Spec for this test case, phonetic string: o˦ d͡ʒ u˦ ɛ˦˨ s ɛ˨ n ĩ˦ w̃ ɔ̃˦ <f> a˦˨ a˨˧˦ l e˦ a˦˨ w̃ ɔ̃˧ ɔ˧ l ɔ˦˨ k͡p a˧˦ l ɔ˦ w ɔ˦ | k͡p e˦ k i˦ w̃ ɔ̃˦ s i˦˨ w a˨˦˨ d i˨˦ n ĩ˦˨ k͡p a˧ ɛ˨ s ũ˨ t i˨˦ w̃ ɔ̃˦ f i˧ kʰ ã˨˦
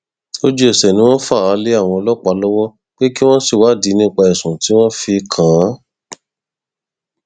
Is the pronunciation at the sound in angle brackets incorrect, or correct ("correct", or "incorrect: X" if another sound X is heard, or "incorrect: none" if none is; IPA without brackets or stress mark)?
correct